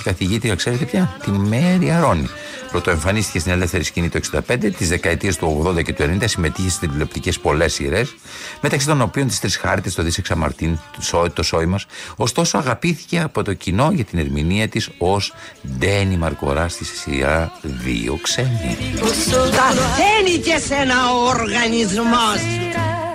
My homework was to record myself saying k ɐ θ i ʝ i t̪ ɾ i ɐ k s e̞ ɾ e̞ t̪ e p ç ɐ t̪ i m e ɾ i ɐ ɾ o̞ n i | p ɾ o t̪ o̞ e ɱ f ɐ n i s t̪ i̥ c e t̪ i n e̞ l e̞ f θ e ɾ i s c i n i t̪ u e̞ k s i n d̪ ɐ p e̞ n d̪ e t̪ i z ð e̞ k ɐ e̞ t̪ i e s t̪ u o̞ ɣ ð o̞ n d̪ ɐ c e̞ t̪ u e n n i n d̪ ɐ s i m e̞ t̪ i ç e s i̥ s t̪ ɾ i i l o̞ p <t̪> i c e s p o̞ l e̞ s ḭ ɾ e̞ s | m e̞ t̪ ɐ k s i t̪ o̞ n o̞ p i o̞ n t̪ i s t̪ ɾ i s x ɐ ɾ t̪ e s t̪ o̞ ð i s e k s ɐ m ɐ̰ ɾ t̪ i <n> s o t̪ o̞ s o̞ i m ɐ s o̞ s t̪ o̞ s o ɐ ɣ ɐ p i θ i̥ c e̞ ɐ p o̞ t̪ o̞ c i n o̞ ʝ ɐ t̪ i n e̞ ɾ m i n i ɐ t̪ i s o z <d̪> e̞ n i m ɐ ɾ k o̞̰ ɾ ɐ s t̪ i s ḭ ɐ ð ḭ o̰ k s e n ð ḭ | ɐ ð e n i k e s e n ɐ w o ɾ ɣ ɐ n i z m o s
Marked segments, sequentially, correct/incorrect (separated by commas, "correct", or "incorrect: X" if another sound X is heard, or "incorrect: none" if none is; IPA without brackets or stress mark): correct, correct, correct